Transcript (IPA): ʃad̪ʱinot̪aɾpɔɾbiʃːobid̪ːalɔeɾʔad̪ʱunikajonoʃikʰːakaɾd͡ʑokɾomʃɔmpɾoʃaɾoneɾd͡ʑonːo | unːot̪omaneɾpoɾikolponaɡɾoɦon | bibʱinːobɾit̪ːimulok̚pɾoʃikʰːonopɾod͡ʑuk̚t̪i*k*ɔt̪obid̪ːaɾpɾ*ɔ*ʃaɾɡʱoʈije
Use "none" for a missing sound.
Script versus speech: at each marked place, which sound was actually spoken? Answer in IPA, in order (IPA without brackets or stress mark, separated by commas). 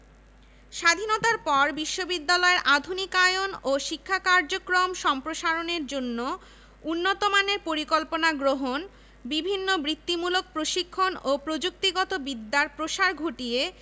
ɡ, o